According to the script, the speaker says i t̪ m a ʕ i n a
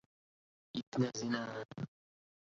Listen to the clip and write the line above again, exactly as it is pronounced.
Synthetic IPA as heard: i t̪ n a z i n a